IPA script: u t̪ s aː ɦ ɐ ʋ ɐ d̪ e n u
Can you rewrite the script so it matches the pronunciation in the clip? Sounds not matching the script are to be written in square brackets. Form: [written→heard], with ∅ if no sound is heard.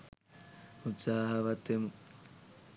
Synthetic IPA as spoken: u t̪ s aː ɦ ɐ ʋ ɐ [d̪→t̪] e [n→m] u